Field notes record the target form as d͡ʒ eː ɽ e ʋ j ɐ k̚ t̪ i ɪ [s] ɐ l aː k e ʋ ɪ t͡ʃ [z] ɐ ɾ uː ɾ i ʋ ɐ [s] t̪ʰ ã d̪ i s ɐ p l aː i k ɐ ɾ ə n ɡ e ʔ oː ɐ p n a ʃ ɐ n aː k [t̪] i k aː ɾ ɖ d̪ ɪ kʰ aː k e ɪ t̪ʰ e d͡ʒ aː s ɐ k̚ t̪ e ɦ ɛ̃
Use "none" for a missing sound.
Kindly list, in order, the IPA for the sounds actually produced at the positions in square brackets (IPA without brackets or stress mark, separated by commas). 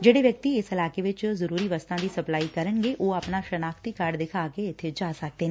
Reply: s, z, s, t̪